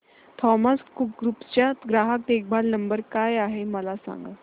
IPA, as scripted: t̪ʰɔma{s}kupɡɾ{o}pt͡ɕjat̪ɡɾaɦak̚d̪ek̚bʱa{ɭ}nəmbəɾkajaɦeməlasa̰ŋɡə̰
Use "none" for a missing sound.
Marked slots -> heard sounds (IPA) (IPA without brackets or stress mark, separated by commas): s, u, l